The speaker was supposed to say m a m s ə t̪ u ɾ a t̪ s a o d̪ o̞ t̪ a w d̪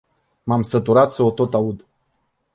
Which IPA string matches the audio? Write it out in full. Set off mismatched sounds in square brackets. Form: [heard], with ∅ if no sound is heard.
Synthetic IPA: m a m s ə t̪ u ɾ a t̪ s [ə] o [t̪] o̞ t̪ a [u] d̪